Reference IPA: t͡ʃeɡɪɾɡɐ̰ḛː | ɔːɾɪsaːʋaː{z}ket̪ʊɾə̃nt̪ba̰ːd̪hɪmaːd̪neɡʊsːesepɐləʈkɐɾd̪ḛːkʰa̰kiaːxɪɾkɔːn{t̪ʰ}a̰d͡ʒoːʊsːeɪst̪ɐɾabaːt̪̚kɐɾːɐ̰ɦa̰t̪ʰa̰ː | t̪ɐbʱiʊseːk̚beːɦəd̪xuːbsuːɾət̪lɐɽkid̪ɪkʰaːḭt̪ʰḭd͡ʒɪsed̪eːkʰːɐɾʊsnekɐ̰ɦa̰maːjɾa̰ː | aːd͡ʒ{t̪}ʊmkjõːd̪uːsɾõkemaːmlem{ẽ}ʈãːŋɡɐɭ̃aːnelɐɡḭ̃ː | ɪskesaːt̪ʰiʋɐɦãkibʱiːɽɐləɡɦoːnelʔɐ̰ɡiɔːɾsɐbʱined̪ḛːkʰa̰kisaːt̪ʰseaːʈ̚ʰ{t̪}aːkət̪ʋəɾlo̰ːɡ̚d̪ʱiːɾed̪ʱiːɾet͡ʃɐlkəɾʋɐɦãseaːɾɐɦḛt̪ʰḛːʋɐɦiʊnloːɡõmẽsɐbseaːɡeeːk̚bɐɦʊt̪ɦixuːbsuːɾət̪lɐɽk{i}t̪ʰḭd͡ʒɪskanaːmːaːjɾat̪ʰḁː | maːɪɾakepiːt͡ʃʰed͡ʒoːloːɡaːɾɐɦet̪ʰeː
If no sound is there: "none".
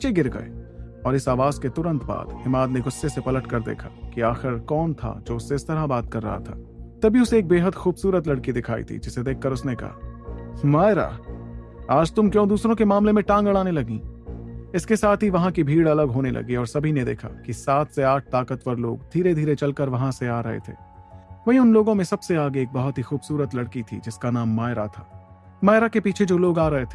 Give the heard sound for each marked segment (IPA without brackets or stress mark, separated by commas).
z, t̪ʰ, t̪, ẽ, t̪, i